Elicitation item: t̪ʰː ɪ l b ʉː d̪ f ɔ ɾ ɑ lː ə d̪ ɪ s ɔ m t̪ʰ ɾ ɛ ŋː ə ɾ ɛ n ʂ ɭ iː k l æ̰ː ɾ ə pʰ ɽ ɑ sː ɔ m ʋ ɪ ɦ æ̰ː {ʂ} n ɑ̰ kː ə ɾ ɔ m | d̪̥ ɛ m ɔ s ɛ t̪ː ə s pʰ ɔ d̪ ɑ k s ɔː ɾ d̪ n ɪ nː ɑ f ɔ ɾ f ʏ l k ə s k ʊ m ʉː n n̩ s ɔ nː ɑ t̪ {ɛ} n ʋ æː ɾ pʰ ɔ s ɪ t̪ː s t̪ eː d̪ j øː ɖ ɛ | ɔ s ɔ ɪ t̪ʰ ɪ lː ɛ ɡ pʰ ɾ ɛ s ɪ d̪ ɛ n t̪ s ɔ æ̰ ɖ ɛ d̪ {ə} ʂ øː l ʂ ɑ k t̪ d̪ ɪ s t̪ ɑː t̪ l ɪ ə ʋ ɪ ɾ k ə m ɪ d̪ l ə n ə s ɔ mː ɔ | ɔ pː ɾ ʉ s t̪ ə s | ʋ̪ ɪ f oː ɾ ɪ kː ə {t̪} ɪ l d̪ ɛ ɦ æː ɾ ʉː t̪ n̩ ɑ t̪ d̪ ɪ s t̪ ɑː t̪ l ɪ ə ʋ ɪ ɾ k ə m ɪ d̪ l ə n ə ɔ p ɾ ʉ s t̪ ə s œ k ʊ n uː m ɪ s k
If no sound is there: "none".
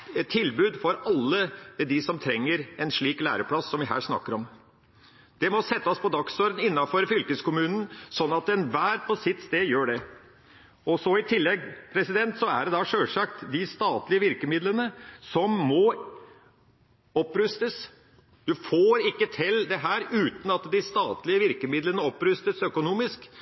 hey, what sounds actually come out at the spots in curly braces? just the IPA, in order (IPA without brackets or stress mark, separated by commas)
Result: ʂ, ɛ, ɑ, t̪ʰ